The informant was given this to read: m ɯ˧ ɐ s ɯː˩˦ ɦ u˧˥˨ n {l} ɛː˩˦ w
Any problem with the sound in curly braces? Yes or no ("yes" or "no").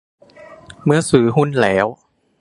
no